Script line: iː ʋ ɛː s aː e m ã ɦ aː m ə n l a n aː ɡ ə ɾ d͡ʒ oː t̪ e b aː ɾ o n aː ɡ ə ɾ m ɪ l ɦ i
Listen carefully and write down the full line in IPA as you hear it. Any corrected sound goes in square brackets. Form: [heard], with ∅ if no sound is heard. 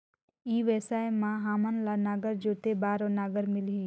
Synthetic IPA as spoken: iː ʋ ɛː s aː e m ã ɦ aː m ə n l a n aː ɡ ə ɾ d͡ʒ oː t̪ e b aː ɾ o n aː ɡ ə ɾ m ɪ l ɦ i